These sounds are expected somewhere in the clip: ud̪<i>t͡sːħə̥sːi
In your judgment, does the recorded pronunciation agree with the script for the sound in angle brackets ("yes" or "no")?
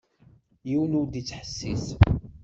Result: yes